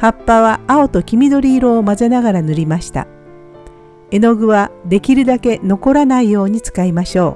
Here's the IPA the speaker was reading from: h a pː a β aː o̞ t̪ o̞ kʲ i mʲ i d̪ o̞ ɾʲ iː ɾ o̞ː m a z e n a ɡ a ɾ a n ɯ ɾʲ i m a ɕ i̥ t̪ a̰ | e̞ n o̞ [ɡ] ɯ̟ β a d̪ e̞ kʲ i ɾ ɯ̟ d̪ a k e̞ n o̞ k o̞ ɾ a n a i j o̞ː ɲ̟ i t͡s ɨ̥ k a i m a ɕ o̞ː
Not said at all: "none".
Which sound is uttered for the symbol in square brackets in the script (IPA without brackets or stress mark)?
ɡ